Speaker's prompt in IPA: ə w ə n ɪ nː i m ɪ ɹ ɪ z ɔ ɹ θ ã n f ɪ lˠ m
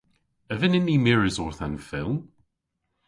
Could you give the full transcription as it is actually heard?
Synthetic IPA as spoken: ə v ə n ɪ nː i m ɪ ɹ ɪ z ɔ ɹ θ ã n f ɪ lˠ m